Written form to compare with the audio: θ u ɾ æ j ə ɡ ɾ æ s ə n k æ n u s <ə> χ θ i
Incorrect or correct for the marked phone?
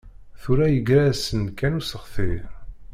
correct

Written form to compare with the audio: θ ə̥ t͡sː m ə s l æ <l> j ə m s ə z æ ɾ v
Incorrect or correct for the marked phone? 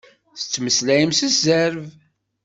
incorrect: none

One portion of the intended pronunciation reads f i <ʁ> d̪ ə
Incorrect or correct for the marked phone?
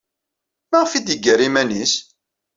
incorrect: none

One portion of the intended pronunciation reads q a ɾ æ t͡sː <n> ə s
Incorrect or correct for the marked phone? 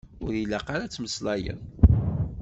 incorrect: m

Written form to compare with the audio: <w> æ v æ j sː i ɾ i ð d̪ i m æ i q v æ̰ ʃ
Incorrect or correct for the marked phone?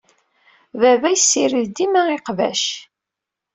incorrect: v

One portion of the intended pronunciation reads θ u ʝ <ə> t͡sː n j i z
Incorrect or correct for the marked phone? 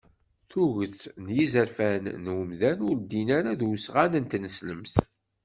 correct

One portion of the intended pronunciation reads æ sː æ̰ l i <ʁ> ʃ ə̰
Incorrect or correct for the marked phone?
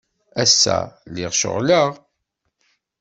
correct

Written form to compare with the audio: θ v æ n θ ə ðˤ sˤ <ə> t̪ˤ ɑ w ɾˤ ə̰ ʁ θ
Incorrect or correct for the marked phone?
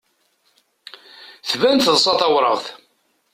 incorrect: ɑ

